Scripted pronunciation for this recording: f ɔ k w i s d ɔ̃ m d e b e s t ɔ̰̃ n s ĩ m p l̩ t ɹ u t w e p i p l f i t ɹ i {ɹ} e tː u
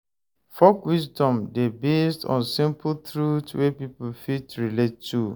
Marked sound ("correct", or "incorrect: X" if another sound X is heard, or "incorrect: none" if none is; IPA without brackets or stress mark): incorrect: l